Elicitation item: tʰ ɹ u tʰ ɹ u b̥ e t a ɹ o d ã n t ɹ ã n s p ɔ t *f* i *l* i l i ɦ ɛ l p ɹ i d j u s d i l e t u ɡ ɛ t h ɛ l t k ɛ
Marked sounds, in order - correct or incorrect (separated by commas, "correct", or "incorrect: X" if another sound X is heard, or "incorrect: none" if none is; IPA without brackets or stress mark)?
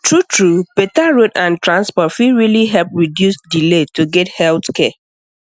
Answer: correct, incorrect: ɹ